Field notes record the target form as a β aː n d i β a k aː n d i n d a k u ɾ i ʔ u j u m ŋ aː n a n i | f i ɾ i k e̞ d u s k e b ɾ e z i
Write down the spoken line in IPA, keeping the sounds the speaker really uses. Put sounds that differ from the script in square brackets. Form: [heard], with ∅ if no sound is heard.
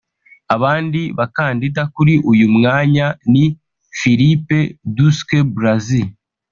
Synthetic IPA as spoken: a β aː n d i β a k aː n d i [∅] d a k u ɾ i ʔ u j u m ŋ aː [ɲ] a n i | f i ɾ i [p] e̞ d u s k e b ɾ [a] z i